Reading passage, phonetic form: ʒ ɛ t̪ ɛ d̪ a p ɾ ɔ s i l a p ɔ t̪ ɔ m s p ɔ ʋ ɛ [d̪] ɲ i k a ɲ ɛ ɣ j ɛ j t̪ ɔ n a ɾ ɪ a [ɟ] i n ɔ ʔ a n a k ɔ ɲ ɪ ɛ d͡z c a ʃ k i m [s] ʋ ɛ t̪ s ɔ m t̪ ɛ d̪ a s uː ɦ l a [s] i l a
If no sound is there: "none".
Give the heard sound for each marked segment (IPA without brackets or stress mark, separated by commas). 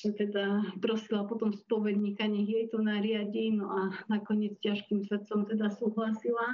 d̪, ɟ, s, s